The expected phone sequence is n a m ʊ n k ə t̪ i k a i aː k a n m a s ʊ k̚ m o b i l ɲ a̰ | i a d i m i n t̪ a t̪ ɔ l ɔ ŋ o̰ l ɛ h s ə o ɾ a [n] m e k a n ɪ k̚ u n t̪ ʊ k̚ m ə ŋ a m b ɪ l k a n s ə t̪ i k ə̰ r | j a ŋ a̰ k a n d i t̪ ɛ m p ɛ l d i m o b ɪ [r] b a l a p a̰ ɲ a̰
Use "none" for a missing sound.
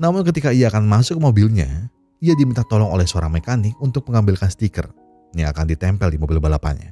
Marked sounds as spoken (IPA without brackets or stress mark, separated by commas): ŋ, l